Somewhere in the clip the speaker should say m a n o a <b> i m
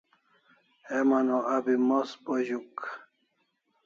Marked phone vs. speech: correct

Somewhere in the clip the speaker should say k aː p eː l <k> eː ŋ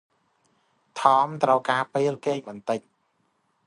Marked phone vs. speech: correct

